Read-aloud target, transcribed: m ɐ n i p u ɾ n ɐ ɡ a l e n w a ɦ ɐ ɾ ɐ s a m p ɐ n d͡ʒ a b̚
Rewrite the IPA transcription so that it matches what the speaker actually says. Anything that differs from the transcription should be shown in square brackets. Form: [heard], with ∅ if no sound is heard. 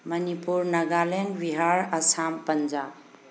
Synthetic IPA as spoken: m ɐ n i p u ɾ n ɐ ɡ a l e n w [i] ɦ [a] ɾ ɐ s a m p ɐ n d͡ʒ a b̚